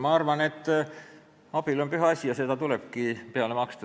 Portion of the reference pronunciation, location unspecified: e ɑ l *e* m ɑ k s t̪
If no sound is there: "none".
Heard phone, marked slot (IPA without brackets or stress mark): e